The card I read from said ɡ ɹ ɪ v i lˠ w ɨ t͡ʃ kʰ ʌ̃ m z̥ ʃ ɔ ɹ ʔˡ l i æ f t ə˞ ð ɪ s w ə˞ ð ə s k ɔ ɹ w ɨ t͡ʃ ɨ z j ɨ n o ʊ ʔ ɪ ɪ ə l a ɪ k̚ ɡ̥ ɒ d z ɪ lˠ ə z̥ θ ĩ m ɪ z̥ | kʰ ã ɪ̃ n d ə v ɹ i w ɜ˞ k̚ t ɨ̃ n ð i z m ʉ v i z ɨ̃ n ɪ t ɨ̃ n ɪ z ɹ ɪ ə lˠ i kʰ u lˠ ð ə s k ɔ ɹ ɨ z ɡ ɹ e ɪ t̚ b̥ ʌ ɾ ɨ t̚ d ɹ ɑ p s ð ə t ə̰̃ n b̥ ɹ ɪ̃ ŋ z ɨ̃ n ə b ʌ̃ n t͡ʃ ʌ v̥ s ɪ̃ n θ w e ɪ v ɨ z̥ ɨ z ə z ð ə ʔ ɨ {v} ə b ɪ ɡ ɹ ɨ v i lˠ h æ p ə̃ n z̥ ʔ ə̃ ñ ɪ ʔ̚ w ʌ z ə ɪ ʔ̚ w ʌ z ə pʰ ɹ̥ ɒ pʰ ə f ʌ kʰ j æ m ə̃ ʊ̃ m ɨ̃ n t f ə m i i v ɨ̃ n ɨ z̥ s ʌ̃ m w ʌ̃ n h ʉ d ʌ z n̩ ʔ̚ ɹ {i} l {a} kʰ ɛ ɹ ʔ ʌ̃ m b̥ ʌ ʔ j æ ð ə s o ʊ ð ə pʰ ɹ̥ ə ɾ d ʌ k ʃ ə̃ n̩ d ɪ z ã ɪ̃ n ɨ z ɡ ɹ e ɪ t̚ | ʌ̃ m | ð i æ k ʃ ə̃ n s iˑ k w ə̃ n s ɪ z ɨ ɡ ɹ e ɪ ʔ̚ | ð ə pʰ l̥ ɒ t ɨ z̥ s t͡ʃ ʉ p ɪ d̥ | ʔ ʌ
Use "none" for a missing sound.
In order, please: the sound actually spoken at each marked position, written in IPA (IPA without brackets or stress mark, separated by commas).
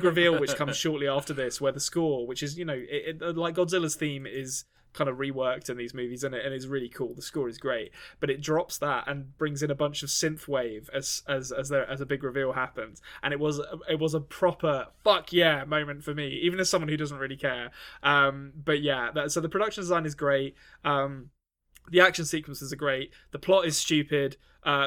z, ɪ, i